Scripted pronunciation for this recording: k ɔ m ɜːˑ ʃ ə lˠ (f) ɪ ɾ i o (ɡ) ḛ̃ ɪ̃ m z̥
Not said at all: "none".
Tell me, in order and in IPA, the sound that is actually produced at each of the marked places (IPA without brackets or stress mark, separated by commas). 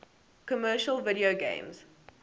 v, ɡ